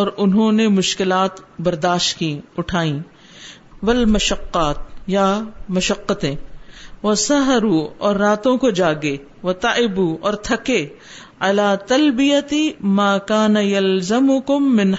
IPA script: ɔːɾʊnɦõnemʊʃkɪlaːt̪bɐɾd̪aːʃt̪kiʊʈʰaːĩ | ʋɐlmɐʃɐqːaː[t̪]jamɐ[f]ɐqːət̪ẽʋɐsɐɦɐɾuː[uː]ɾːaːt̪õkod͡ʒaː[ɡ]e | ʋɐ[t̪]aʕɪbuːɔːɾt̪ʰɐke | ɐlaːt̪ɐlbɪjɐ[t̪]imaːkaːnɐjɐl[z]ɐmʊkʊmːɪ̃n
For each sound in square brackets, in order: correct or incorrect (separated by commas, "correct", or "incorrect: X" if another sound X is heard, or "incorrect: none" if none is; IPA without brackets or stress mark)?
correct, incorrect: ʃ, incorrect: ɔː, correct, correct, correct, correct